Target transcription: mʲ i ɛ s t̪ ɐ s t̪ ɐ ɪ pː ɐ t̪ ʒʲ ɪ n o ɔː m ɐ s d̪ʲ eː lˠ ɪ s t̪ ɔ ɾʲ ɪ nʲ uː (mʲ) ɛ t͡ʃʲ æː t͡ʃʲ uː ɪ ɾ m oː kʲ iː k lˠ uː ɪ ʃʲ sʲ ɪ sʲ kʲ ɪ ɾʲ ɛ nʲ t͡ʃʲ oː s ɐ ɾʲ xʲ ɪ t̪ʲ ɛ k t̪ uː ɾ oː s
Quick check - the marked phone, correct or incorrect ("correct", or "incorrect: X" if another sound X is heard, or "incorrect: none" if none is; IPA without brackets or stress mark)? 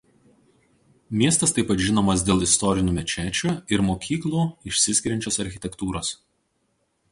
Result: correct